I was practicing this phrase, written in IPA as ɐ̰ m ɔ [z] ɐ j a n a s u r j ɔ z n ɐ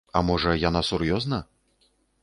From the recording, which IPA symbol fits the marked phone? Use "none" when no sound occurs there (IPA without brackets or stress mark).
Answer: ʐ